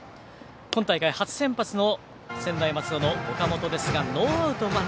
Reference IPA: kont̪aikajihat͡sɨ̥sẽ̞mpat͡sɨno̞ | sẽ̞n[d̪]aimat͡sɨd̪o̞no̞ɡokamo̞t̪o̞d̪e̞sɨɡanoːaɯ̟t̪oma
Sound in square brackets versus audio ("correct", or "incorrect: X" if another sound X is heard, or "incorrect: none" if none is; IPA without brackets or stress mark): correct